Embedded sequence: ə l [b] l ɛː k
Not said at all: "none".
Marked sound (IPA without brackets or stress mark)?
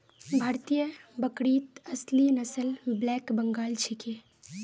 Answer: b